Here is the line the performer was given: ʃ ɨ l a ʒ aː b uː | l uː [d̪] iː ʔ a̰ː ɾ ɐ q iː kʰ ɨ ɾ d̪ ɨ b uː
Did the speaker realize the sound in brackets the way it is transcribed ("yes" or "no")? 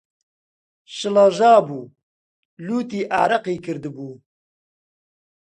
no